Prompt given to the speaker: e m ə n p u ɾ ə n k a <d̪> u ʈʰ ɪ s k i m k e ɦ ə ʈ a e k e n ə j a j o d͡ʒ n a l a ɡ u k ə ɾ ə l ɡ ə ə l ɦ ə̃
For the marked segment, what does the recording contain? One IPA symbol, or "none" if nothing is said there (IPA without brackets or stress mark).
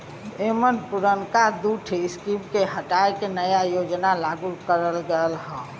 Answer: d̪